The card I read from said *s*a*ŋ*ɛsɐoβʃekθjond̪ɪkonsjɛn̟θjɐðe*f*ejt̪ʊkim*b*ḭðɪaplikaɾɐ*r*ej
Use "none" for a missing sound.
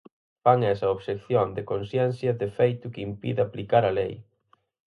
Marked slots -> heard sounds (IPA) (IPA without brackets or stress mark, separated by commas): f, ŋ, f, p, l